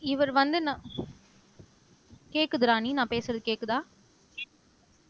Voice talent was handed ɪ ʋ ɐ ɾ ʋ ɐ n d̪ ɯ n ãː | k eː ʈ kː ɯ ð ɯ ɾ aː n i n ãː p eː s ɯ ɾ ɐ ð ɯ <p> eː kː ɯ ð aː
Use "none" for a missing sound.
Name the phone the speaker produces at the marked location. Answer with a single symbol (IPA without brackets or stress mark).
k